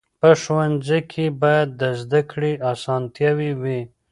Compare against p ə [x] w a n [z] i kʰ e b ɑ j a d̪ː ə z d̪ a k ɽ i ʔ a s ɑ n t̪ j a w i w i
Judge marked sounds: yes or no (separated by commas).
no, yes